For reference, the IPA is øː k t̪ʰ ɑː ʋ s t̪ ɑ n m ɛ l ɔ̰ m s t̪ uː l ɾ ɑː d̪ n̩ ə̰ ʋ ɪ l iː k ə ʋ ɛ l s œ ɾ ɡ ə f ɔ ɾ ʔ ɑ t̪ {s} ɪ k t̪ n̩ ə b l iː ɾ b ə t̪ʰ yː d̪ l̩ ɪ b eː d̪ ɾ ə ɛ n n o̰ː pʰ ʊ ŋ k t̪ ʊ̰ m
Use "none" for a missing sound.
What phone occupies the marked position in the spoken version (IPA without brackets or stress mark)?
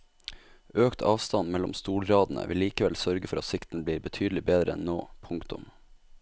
s